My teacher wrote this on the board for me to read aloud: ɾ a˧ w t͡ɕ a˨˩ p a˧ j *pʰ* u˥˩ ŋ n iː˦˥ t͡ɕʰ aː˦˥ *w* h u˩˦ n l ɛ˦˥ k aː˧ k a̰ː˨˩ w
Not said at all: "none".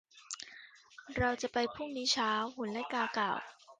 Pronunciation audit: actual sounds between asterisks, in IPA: pʰ, w

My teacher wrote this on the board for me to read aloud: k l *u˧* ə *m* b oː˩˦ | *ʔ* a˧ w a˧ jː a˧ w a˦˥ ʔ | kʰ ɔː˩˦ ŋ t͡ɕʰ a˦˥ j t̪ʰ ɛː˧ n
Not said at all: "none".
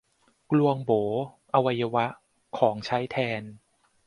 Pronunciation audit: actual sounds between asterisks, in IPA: u˧, ŋ, ʔ

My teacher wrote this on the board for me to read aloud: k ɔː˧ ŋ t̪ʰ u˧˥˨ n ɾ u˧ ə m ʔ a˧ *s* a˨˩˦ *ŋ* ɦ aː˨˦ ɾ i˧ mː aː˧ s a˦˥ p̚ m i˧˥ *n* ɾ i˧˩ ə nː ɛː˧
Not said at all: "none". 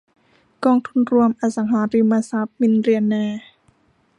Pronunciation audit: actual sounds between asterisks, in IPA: s, ŋ, n

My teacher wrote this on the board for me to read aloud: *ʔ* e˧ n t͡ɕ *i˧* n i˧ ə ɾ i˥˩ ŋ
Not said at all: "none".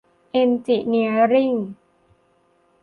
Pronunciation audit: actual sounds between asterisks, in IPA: ʔ, i˨˩

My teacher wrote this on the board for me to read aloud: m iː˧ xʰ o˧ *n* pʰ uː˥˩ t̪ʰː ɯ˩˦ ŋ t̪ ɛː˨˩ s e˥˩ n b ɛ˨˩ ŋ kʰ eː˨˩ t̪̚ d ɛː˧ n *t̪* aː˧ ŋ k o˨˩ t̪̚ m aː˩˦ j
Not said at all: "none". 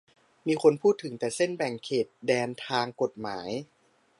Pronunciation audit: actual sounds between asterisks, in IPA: n, t̪ʰ

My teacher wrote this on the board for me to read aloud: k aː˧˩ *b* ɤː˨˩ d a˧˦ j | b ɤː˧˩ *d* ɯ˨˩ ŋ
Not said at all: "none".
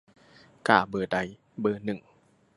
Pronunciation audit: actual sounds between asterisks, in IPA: b, n

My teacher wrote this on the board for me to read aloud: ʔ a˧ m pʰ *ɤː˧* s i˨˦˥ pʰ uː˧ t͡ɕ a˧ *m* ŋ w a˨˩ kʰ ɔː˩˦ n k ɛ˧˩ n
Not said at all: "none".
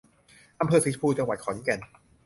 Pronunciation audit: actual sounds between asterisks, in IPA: ɤː˧, none

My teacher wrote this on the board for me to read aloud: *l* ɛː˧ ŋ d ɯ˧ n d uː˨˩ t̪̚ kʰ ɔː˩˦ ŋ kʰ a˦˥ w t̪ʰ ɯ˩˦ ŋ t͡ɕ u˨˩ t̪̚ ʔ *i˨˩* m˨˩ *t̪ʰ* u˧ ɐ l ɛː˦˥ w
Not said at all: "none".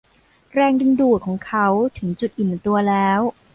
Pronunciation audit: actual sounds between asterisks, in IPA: ɾ, i˨˩, t̪

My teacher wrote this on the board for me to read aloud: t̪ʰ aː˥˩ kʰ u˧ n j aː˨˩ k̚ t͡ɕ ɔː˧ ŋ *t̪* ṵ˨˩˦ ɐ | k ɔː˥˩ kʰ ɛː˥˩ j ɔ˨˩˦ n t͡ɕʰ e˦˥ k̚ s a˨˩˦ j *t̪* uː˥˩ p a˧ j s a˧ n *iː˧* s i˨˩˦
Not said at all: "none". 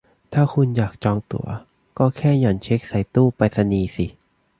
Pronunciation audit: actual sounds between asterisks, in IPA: t̪, t̪, iː˧

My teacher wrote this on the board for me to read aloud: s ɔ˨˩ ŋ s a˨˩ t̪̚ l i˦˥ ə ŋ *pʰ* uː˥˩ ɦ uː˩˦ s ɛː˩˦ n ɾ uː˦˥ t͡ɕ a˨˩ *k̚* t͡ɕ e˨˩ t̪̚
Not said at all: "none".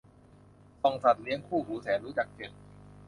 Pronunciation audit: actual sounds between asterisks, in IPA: kʰ, k̚

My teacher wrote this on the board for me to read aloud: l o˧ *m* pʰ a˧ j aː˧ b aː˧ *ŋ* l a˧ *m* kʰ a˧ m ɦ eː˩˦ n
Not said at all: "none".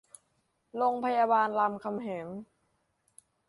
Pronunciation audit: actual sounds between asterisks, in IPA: ŋ, n, m

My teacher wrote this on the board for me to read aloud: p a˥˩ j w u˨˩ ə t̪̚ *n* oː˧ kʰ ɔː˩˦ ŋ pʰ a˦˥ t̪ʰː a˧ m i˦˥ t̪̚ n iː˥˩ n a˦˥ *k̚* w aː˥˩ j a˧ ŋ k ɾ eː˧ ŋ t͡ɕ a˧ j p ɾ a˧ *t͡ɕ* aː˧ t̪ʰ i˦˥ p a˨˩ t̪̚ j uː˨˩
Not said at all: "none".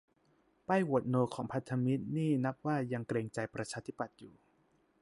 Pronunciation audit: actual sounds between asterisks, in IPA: n, p̚, t͡ɕʰ

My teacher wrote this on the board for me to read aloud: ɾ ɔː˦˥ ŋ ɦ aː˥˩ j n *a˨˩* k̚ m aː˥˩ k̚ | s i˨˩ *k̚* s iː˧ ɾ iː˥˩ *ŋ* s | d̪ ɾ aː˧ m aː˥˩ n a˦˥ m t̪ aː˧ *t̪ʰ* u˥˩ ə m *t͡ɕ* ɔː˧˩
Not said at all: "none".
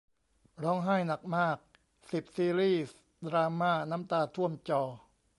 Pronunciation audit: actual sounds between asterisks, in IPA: a˨˩, p̚, none, t̪ʰ, t͡ɕ

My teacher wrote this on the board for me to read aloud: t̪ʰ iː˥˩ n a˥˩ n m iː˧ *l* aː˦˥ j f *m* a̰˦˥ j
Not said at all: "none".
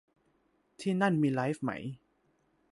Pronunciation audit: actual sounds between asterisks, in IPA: l, m

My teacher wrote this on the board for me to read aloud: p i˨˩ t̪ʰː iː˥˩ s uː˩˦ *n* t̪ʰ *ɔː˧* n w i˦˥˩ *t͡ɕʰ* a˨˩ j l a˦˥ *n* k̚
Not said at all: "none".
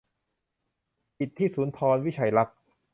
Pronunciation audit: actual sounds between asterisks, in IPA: n, ɔː˧, t͡ɕʰ, none

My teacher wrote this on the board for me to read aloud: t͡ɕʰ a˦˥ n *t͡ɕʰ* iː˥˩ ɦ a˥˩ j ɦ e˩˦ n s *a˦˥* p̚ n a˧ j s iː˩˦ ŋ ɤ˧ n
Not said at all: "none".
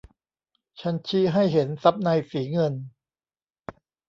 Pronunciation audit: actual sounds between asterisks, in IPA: t͡ɕʰ, a˦˥

